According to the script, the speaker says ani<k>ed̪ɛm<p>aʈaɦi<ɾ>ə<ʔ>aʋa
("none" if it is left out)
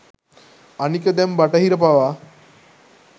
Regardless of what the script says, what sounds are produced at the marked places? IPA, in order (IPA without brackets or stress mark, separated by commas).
k, b, ɾ, p